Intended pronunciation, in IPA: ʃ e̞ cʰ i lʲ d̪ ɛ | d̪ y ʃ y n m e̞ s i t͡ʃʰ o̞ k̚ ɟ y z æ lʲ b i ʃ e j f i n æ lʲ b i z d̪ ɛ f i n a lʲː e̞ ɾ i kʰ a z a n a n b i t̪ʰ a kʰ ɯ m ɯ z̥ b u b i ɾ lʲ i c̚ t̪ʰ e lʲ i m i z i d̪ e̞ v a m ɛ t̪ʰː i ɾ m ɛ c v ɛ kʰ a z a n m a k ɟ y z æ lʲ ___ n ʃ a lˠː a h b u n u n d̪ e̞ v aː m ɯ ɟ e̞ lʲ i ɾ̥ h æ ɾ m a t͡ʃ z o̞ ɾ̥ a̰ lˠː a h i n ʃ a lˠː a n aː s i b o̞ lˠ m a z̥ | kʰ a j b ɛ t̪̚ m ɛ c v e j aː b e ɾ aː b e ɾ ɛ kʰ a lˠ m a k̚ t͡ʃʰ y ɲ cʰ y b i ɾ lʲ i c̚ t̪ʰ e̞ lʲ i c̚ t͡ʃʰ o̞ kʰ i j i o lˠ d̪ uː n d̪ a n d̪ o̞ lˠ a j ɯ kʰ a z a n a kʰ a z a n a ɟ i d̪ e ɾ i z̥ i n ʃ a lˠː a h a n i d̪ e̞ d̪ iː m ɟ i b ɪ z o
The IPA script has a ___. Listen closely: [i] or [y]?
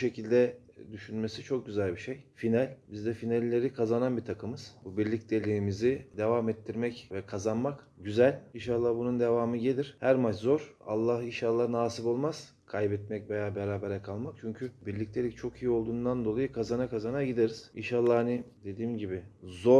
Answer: i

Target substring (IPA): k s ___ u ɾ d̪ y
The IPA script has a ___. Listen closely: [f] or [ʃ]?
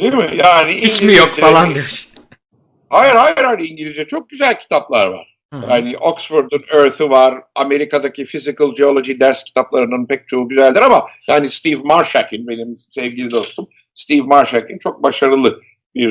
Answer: f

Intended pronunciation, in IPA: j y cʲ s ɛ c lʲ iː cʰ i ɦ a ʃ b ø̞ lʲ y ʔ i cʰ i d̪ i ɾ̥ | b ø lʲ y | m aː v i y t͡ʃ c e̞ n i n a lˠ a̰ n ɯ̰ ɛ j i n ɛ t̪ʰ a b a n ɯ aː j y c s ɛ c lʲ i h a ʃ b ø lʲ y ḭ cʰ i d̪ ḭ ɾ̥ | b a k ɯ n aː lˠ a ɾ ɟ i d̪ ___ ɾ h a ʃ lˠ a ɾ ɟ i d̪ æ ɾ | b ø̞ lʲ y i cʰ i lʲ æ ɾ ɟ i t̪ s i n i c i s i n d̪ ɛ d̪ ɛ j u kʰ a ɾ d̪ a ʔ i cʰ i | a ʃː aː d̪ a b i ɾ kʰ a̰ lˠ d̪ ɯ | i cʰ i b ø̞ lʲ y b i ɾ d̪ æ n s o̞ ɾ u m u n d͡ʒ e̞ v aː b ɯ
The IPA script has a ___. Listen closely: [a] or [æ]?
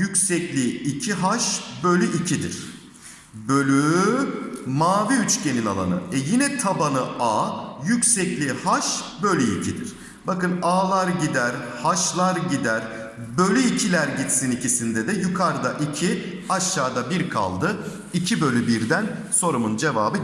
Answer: æ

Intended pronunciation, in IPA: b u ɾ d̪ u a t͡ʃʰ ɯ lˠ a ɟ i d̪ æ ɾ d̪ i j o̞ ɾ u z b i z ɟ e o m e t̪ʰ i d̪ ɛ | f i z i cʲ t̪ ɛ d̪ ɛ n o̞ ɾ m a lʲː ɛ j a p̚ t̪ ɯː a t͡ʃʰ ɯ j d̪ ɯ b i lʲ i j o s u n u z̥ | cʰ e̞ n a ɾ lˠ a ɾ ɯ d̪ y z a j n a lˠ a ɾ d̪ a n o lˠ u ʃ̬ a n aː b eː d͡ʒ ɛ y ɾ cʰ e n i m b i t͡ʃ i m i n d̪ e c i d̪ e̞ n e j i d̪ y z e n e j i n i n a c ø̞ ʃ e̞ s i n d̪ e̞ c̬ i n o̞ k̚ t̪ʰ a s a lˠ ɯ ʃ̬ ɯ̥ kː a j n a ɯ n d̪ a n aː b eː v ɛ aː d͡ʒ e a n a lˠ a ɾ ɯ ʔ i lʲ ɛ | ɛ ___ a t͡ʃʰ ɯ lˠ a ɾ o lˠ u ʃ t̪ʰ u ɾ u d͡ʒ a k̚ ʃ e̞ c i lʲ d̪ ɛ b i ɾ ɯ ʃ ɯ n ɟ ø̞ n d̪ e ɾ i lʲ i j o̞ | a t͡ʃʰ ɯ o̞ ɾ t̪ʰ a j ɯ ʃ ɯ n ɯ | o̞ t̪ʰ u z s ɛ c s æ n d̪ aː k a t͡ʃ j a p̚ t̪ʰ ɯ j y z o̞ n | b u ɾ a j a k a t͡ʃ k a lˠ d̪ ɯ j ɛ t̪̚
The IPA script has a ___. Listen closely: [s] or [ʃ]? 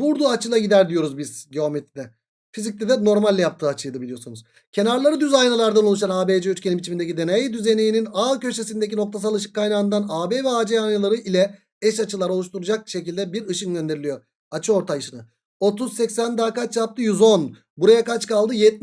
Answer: ʃ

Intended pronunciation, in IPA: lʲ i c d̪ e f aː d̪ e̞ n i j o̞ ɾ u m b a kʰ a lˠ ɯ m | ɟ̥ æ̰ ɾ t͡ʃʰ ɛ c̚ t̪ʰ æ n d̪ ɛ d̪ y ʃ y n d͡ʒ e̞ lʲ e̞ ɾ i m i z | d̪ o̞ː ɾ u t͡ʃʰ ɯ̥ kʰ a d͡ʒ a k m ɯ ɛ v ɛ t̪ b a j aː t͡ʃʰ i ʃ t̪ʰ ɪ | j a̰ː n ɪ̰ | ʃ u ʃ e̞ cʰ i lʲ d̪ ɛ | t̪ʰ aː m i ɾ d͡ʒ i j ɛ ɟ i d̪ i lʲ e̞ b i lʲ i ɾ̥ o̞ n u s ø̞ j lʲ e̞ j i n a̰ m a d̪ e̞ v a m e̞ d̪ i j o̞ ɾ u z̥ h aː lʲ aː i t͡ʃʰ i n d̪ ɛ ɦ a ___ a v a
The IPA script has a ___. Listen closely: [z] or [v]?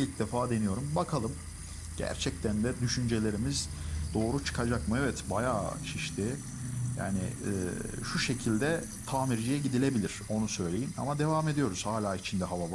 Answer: v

